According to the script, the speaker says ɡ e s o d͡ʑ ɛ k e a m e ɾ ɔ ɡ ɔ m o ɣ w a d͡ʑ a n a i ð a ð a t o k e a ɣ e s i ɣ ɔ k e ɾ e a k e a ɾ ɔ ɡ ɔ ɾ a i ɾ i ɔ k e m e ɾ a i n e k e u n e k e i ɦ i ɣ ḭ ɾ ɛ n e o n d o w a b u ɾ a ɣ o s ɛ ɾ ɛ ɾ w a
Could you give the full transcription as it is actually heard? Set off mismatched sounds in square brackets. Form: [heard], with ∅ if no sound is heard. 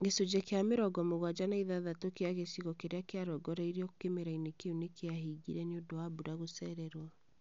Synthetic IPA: ɡ e s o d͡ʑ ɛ k e a m e ɾ ɔ ɡ ɔ m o ɣ w a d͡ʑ a n a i ð a ð a t o k e a ɣ e s i ɣ ɔ k e ɾ e a k e a ɾ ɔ ɡ ɔ ɾ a i ɾ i ɔ k e m e ɾ a i n e k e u n e k e [a] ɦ i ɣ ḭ ɾ ɛ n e o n d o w a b u ɾ a ɣ o s ɛ ɾ ɛ ɾ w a